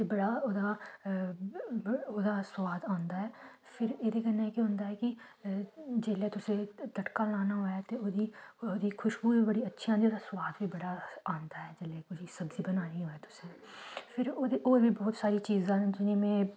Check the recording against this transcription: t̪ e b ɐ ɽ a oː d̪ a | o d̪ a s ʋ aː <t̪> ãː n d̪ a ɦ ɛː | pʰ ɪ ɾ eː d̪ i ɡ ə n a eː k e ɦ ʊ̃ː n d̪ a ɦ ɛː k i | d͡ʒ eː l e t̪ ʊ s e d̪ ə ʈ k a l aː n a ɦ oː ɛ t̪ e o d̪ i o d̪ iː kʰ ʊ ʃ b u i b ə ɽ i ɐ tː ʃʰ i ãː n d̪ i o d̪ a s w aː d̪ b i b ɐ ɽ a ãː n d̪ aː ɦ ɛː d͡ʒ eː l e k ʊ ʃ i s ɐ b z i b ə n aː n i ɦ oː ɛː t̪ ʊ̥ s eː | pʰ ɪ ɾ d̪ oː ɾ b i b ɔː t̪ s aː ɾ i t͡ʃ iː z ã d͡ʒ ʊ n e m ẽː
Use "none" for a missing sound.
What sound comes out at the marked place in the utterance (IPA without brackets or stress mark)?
d̪